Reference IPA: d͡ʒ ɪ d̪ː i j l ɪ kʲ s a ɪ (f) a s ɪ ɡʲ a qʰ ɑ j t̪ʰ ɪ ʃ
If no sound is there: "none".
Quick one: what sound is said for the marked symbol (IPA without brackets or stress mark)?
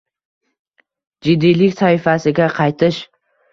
f